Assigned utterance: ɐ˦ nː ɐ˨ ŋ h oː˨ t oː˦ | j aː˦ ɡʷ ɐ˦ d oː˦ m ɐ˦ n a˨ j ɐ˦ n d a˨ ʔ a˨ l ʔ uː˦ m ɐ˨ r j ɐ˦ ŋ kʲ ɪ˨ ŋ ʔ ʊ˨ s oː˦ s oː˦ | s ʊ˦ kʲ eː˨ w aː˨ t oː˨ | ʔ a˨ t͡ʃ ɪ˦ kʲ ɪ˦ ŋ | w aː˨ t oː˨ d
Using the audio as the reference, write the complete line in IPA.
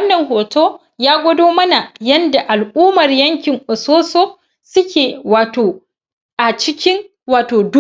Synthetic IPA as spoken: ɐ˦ nː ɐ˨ ŋ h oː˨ t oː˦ | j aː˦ ɡʷ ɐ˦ d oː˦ m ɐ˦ n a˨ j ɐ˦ n d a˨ ʔ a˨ l ʔ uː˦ m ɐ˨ r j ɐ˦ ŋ kʲ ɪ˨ ŋ ʔ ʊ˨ s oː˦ s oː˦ | s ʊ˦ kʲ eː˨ w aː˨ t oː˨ | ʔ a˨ t͡ʃ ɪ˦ kʲ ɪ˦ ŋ | w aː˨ t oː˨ d